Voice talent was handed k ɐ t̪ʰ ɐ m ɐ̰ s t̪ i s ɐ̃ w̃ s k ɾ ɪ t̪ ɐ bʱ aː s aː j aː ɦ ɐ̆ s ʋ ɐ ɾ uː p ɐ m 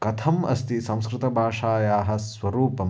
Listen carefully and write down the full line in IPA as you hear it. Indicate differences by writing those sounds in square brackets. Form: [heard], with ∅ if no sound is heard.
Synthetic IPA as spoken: k ɐ t̪ʰ ɐ m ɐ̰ s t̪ i s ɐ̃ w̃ s k ɾ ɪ t̪ ɐ bʱ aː [ʂ] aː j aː ɦ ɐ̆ s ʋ ɐ ɾ uː p ɐ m

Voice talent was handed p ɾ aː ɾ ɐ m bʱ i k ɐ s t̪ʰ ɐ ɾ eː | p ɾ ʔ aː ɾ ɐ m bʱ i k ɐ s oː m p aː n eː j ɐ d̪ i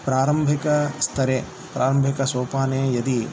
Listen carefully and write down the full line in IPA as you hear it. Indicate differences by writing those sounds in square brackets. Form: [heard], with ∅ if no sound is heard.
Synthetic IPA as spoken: p ɾ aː ɾ ɐ m bʱ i k ɐ s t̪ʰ ɐ ɾ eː | p ɾ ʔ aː ɾ ɐ m bʱ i k ɐ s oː [∅] p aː n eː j ɐ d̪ i

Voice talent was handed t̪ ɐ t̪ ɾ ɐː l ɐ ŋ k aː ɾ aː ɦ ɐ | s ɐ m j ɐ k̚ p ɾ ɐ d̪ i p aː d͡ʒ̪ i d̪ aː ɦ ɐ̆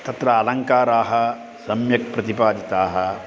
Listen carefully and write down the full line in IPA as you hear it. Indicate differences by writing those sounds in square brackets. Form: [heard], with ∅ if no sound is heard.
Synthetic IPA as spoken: t̪ ɐ t̪ ɾ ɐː l ɐ ŋ k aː ɾ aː ɦ ɐ | s ɐ m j ɐ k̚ p ɾ ɐ [t̪] i p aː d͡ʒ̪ i [t̪] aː ɦ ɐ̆

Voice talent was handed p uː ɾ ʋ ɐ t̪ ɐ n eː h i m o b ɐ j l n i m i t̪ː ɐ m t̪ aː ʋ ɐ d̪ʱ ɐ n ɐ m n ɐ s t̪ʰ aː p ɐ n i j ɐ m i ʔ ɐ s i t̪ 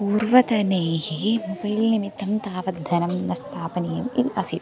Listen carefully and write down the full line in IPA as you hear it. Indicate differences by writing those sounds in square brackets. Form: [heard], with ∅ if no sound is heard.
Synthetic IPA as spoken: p uː ɾ ʋ ɐ t̪ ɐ n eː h i m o b ɐ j l n i m i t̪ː ɐ m t̪ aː ʋ ɐ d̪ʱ ɐ n ɐ m n ɐ s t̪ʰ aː p ɐ n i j ɐ m i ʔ ɐ s i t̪

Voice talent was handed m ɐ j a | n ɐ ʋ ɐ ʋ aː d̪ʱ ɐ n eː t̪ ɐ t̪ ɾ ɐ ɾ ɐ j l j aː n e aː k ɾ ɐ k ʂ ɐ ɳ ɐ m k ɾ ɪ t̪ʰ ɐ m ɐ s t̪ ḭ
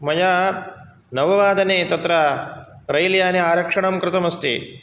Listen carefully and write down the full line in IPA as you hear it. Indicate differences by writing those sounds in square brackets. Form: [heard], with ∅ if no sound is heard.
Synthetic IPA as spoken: m ɐ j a | n ɐ ʋ ɐ ʋ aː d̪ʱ ɐ n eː t̪ ɐ t̪ ɾ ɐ ɾ ɐ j l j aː n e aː [∅] ɾ ɐ k ʂ ɐ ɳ ɐ m k ɾ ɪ [t̪] ɐ m ɐ s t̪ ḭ

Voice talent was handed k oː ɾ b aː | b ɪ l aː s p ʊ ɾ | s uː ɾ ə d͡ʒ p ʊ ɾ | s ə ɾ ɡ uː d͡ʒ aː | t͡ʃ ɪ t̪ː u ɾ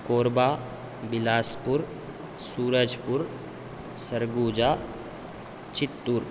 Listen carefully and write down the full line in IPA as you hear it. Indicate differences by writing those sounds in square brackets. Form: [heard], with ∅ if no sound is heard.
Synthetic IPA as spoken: k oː ɾ b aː | b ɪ l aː s p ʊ ɾ | s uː ɾ ə d͡ʒ p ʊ ɾ | s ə ɾ ɡ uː d͡ʒ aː | t͡ʃ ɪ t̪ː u ɾ

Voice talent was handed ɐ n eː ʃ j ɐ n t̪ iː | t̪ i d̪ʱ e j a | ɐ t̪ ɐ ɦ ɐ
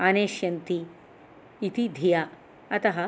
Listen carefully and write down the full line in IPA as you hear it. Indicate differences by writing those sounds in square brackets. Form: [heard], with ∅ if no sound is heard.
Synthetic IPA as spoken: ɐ n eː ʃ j ɐ n t̪ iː | t̪ i d̪ʱ [i] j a | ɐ t̪ ɐ ɦ ɐ

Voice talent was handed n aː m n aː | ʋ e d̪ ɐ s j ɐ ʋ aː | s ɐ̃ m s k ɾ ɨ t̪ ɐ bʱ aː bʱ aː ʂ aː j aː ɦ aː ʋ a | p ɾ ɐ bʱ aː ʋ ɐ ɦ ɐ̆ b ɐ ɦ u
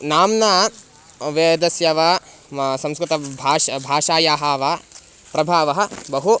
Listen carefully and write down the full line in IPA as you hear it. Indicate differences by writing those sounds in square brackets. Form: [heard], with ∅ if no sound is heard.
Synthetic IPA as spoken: n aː m n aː | ʋ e d̪ ɐ s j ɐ ʋ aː | s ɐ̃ m s k ɾ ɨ t̪ ɐ bʱ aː bʱ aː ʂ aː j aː ɦ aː ʋ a | p ɾ ɐ bʱ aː ʋ ɐ ɦ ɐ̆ b ɐ ɦ u

